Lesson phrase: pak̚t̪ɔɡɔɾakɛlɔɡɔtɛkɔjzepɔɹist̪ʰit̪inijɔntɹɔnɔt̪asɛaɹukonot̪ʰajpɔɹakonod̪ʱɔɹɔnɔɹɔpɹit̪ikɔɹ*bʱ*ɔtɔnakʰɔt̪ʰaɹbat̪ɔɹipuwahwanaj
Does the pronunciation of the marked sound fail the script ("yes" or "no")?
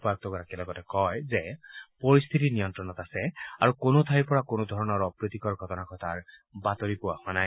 yes